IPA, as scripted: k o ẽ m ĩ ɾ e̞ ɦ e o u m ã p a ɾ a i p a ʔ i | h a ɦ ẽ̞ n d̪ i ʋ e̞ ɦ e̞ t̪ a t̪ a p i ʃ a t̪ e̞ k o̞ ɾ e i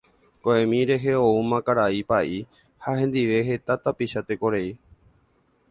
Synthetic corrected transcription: k o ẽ m ĩ ɾ e̞ ɦ e o u m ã k a ɾ a i p a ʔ i | h a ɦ ẽ̞ n d̪ i ʋ e̞ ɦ e̞ t̪ a t̪ a p i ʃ a t̪ e̞ k o̞ ɾ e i